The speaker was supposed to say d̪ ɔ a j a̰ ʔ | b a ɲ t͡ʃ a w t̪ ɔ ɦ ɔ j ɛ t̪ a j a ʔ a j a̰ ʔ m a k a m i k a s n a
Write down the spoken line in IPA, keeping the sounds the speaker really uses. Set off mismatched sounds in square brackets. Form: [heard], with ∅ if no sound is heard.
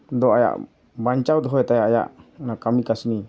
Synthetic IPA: d̪ ɔ a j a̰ ʔ | b a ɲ t͡ʃ a w [d̪] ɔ ɦ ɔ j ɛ t̪ a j a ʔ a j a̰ ʔ [n] a k a m i k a s n [i]